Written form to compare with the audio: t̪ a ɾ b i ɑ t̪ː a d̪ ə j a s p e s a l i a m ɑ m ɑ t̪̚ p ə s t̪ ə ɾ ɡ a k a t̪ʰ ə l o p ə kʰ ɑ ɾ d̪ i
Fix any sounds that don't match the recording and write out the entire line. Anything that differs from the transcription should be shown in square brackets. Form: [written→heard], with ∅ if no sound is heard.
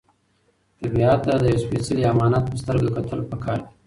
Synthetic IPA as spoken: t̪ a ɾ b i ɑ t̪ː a d̪ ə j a s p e s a l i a m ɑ [m→n] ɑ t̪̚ p ə s t̪ ə ɾ ɡ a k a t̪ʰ ə l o p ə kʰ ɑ ɾ d̪ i